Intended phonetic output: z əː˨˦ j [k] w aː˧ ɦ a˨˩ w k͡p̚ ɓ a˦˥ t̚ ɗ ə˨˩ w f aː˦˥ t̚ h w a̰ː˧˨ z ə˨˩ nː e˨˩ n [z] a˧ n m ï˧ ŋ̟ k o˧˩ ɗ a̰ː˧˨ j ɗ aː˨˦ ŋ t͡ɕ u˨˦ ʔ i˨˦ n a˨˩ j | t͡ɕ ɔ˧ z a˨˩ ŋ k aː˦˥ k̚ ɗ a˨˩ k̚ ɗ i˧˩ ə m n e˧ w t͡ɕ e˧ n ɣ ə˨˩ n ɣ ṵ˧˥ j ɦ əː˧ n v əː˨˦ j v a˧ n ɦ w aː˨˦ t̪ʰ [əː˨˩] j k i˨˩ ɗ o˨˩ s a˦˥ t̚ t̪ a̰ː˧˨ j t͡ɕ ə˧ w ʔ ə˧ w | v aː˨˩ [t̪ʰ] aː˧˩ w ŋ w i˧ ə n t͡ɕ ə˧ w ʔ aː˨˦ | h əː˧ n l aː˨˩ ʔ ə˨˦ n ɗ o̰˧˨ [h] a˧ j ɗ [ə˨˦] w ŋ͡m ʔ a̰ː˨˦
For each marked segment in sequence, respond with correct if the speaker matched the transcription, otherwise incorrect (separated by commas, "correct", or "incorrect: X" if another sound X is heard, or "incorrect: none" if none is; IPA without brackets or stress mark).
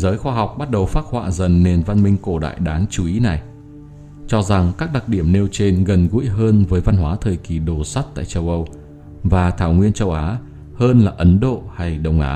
incorrect: x, incorrect: v, correct, correct, correct, incorrect: ə˧˩